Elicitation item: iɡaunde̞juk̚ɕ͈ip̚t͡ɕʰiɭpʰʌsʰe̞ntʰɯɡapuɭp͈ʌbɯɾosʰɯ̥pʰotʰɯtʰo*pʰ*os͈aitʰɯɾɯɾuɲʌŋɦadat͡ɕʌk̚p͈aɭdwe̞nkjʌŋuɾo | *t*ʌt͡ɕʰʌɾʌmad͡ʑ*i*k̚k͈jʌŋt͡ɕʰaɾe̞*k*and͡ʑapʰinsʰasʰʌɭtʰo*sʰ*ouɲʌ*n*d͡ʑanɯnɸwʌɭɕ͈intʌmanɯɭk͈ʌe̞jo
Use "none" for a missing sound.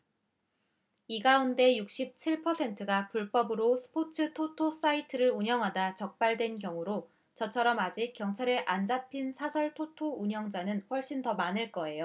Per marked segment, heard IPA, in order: tʰ, t͡ɕ, i, ʔ, tʰ, ŋ

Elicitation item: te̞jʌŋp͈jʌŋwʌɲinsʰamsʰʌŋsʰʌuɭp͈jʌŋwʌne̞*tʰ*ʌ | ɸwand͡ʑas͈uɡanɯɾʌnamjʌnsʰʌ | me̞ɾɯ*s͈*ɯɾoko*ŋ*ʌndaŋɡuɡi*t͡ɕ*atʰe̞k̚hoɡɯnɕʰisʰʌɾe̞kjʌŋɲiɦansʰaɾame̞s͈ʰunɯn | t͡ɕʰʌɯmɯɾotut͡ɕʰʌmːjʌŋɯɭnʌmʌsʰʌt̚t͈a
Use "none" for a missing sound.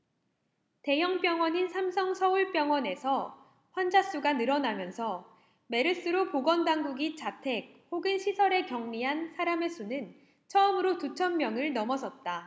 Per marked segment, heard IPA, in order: sʰ, s͈, ɡ, t͡ɕ

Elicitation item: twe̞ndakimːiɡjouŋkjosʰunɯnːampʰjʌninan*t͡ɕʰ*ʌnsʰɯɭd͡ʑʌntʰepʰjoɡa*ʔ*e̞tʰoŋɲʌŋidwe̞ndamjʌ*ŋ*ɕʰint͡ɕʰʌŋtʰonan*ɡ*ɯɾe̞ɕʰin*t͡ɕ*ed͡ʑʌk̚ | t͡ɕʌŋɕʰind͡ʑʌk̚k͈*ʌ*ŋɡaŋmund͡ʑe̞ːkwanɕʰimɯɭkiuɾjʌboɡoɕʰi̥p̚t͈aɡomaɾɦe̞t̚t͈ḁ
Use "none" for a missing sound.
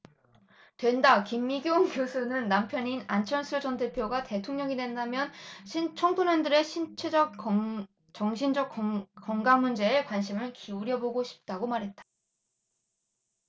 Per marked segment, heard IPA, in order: t͡ɕʰ, t, n, d, t͡ɕʰ, ʌ

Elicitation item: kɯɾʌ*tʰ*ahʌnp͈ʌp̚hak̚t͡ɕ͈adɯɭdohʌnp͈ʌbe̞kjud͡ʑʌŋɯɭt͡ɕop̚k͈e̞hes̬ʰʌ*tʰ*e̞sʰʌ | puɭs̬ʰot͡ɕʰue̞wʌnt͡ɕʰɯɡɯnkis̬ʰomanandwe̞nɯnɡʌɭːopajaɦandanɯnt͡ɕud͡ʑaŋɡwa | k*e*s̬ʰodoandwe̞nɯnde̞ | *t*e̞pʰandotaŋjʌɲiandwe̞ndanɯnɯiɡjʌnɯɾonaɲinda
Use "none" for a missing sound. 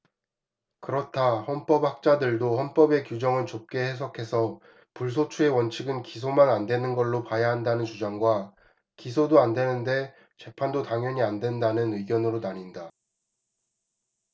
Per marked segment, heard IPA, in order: tʰ, kʰ, i, t͡ɕ

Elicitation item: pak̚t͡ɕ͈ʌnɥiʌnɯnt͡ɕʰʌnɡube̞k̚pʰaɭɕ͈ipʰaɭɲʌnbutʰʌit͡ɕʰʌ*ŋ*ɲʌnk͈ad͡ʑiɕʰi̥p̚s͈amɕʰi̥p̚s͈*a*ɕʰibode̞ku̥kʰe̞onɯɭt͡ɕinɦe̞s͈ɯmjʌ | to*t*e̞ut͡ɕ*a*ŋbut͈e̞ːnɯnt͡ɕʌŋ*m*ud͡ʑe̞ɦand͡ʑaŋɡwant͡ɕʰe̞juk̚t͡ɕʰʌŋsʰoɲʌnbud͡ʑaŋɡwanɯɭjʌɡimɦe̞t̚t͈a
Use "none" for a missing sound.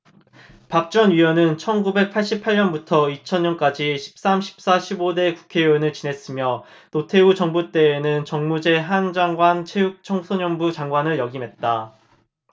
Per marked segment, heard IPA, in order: n, a, tʰ, ʌ, m

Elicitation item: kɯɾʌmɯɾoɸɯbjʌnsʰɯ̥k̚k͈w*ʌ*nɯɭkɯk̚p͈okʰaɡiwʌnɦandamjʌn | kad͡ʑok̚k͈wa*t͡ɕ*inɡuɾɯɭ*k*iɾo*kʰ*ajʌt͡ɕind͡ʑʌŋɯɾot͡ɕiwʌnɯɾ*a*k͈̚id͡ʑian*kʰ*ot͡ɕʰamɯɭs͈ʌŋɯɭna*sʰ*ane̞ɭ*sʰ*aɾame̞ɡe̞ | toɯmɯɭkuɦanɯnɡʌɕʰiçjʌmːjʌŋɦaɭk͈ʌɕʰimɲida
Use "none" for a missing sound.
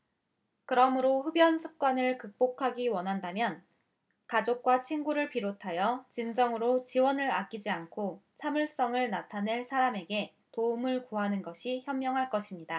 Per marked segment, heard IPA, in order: a, t͡ɕʰ, p, tʰ, a, kʰ, tʰ, sʰ

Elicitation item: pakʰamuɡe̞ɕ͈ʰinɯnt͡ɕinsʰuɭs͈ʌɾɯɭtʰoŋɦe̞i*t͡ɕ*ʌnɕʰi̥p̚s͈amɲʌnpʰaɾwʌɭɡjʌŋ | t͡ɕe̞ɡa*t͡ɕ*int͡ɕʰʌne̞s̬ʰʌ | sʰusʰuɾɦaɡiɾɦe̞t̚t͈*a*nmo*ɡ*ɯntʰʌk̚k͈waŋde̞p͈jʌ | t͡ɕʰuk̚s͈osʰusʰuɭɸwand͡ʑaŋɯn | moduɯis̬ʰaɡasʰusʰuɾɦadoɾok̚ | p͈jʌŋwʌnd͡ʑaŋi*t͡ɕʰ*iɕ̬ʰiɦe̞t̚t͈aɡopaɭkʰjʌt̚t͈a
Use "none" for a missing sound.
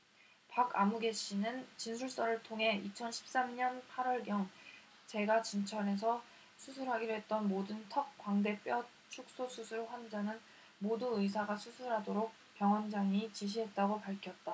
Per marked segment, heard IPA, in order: t͡ɕʰ, t͡ɕ, ʌ, d, t͡ɕ

